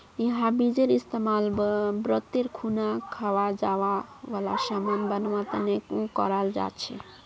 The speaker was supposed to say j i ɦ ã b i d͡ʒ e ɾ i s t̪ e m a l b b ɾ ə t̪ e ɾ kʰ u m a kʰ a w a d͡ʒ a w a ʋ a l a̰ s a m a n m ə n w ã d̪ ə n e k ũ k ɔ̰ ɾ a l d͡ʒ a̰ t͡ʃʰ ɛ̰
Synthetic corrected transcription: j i ɦ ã b i d͡ʒ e ɾ i s t̪ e m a l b b ɾ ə t̪ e ɾ kʰ u n a kʰ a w a d͡ʒ a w a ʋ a l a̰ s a m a n b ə n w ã t̪ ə n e k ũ k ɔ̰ ɾ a l d͡ʒ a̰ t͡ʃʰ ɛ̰